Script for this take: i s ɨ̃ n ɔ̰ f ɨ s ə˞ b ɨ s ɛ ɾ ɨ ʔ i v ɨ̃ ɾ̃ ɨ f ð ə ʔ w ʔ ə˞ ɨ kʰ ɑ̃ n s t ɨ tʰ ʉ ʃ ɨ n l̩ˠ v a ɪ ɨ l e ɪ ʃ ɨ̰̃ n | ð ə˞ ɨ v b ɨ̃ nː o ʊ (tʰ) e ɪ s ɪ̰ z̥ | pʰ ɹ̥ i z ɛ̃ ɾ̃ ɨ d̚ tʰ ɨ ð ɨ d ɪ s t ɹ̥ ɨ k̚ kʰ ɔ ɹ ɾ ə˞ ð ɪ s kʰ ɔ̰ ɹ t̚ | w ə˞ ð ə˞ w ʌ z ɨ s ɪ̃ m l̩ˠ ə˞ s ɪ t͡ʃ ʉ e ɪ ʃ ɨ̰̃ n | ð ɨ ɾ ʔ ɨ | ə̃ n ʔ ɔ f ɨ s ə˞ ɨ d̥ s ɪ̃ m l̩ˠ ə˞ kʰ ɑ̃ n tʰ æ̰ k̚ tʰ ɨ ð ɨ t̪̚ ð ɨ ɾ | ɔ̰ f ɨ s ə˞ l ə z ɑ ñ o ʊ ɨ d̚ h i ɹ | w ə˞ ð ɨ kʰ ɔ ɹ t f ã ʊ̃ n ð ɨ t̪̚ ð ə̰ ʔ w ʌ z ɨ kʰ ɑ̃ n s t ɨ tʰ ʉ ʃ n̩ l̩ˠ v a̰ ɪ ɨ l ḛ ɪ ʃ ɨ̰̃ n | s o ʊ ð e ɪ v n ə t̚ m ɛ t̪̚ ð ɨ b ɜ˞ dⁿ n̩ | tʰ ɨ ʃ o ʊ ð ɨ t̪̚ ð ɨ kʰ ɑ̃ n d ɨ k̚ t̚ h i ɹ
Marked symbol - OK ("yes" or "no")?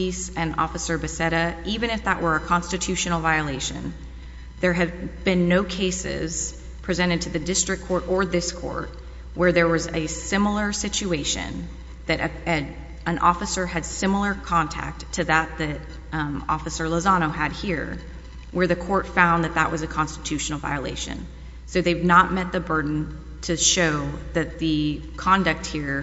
no